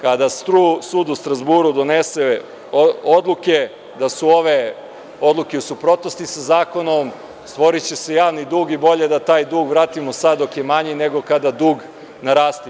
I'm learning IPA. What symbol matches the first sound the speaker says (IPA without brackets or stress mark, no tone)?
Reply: k